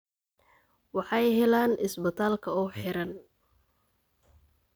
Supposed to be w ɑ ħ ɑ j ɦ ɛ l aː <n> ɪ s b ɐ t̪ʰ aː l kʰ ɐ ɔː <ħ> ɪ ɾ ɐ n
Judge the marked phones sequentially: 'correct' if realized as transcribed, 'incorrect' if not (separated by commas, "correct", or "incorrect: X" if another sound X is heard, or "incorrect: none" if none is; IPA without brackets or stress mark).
correct, correct